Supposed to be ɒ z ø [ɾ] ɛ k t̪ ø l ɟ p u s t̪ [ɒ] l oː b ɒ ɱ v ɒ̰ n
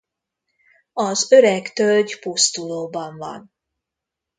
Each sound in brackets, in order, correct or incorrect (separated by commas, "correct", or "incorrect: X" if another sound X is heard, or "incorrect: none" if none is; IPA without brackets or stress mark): correct, incorrect: u